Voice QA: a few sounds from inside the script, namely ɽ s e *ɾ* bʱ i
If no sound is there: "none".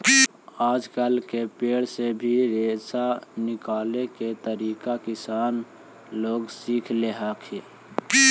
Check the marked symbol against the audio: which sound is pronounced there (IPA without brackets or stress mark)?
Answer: none